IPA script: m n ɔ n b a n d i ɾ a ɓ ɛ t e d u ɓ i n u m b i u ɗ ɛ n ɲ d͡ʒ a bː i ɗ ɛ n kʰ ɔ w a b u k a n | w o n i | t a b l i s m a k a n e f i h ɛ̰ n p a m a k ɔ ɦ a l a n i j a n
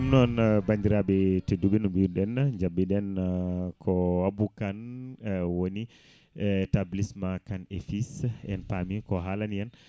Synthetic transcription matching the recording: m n ɔ n b a n d i ɾ a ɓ ɛ t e d u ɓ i n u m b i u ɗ ɛ n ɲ d͡ʒ a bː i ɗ ɛ n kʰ ɔ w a b u k a n | w o n i | t a b l i s m a k a n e f i s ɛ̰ n p a m i k ɔ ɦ a l a n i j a n

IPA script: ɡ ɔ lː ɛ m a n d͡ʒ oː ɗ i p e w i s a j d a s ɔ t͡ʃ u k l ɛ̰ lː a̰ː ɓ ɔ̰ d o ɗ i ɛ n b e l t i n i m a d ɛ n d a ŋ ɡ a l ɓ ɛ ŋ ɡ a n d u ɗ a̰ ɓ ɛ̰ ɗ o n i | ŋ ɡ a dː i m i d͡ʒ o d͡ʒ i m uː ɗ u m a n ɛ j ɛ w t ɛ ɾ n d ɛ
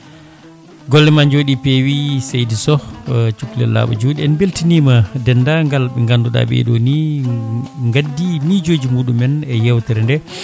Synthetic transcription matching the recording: ɡ ɔ lː ɛ m a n d͡ʒ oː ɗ i p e w i s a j d i s ɔ t͡ʃ u k l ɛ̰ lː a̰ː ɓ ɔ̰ d͡ʒ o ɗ i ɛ n b e l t i n i m a d ɛ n d a ŋ ɡ a l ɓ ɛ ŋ ɡ a n d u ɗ a̰ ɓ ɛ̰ ɗ o n i | ŋ ɡ a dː i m i d͡ʒ o d͡ʒ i m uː ɗ u m ɛ n ɛ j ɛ w t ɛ ɾ n d ɛ

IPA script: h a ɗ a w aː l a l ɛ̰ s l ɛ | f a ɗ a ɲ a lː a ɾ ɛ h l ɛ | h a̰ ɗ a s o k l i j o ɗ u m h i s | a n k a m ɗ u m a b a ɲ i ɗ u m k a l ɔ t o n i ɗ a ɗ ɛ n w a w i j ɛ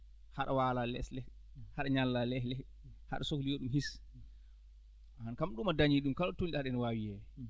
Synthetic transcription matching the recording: h a ɗ a w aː l a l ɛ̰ s l ɛ | h a ɗ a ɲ a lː a l ɛ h l ɛ | h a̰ ɗ a s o k l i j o ɗ u m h i s | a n k a m ɗ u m a d a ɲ i ɗ u m k a l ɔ t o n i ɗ a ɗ ɛ n w a w i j ɛ

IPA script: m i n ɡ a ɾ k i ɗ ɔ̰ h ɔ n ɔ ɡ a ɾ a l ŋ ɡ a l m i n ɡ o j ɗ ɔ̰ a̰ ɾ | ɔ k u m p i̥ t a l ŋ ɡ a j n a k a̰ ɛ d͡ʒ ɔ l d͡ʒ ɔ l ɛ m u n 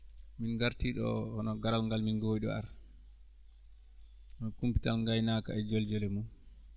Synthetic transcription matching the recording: m i n ɡ a ɾ t i ɗ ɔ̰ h ɔ n ɔ ɡ a ɾ a l ŋ ɡ a l m i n ɡ o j ɗ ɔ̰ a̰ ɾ | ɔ k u m p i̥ t a l ŋ ɡ a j n a k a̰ ɛ d͡ʒ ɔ l d͡ʒ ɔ l ɛ m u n

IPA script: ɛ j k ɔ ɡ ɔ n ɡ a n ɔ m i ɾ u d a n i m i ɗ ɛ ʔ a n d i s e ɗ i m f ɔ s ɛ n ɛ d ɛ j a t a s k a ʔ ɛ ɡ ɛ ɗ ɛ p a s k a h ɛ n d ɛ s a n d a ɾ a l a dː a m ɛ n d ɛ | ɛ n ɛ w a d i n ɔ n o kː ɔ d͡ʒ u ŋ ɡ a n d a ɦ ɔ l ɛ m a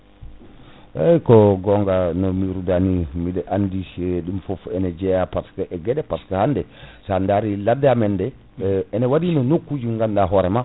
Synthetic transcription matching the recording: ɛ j k ɔ ɡ ɔ ŋ ɡ a n ɔ m i ɾ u d a n i m i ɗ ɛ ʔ a n d i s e ɗ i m f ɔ f ɛ n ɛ d͡ʒ ɛ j a p a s k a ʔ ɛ ɡ ɛ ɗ ɛ p a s k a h a n d ɛ s a n d a ɾ i l a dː a m ɛ n d ɛ | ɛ n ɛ w a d i n ɔ n o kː u d͡ʒ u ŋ ɡ a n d a ɦ ɔ ɾ ɛ m a

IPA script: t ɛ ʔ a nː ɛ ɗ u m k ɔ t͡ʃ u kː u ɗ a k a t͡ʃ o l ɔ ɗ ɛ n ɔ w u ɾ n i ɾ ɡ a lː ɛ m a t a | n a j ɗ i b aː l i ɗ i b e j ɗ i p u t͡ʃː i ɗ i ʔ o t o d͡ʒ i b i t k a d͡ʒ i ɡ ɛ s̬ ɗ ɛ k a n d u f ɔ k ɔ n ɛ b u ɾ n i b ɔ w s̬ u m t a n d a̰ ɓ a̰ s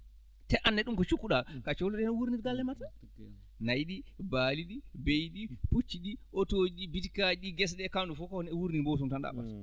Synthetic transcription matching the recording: t ɛ ʔ a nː ɛ ɗ u m k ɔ t͡ʃ u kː u ɗ a k a t͡ʃ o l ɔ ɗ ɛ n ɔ w u ɾ n i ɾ ɡ a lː ɛ m a t a | n a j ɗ i b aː l i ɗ i b e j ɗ i p u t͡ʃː i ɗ i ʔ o t o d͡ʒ i b i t k a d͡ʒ i ɡ ɛ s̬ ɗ ɛ k a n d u f ɔ k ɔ n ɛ w u ɾ n i b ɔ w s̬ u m t a n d a̰ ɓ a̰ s

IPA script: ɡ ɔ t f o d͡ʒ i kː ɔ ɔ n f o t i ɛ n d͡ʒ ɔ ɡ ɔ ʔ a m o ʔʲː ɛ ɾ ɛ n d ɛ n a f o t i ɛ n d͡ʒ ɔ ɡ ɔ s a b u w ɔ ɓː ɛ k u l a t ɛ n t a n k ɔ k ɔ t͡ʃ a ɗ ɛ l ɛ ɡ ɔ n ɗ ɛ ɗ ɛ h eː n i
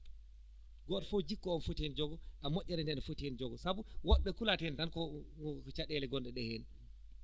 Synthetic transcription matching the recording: ɡ ɔ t f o d͡ʒ i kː ɔ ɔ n f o t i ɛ n d͡ʒ ɔ ɡ ɔ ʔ a m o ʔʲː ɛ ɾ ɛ n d ɛ n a f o t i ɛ n d͡ʒ ɔ ɡ ɔ s a b u w ɔ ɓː ɛ k u l a t ɛ n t a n k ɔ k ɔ t͡ʃ a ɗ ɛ l ɛ ɡ ɔ n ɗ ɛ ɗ ɛ h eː n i

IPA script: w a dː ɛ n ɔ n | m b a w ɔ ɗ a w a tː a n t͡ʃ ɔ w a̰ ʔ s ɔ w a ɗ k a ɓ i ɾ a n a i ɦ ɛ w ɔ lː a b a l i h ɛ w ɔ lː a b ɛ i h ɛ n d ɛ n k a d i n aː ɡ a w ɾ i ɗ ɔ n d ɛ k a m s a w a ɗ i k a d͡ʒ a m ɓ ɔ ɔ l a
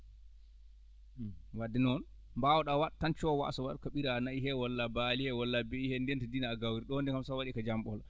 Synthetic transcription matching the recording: w a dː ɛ n ɔ n | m b a w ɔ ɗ a w a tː a n t͡ʃ ɔ w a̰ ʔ s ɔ w a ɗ k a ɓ i ɾ a n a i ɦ ɛ w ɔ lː a b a l i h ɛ w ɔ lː a b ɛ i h ɛ n d ɛ n t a d i n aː ɡ a w ɾ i ɗ ɔ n d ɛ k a m s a w a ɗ i k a d͡ʒ a m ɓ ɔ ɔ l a

